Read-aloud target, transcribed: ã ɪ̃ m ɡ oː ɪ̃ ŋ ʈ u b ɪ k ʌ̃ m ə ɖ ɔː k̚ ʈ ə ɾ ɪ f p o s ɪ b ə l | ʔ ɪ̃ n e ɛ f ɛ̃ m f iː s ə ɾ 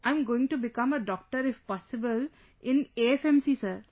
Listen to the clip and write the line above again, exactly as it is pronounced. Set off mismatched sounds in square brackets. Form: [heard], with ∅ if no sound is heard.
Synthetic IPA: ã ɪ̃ m ɡ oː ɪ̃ ŋ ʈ u b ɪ k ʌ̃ m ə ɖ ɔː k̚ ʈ ə ɾ ɪ f p [ɔ] s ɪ b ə l | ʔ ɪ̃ n e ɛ f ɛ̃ m [s] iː s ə ɾ